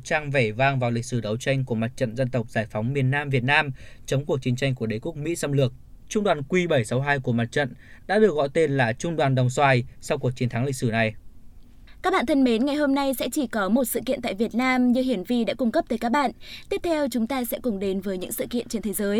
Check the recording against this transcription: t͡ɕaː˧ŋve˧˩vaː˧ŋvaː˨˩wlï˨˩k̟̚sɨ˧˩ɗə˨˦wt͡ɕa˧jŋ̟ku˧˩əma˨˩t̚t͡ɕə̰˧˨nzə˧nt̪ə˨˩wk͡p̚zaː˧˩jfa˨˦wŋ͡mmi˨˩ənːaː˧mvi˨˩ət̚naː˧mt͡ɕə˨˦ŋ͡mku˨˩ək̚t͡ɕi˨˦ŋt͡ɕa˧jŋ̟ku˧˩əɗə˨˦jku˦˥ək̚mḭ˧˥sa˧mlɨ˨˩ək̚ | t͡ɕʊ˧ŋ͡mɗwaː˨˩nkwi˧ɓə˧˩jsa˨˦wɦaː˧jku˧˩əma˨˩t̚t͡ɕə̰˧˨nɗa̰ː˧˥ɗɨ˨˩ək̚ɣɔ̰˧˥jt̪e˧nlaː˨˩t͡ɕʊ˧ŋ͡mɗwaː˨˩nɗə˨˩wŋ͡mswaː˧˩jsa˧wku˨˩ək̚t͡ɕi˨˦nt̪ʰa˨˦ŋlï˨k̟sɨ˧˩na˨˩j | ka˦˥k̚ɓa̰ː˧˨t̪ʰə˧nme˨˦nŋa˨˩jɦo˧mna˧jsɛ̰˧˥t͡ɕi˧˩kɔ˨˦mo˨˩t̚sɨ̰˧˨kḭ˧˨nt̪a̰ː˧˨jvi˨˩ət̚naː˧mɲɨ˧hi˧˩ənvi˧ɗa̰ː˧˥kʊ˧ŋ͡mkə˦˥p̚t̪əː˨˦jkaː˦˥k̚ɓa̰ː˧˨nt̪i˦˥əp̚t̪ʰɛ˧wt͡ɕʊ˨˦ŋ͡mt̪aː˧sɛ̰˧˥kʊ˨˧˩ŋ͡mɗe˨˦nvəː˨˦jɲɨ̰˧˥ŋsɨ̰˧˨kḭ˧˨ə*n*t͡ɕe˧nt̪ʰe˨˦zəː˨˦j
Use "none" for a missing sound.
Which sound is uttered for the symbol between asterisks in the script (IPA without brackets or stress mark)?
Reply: n